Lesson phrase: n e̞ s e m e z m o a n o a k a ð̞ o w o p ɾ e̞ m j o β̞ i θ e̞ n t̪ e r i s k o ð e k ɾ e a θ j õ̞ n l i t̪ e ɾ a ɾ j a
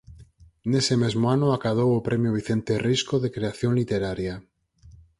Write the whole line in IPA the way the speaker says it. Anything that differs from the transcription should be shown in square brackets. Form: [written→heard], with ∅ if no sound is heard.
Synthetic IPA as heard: n e̞ s e m e z m o a n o a k a ð̞ o w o p ɾ e̞ m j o β̞ i θ e̞ n t̪ e r i s k o ð e k ɾ e a θ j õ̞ n l i t̪ e ɾ a ɾ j a